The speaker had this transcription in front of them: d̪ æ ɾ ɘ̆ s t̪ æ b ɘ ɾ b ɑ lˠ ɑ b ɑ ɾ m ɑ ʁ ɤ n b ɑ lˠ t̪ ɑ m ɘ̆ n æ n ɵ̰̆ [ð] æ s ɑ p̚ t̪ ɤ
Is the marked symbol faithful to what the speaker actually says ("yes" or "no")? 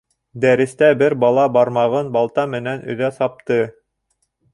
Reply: yes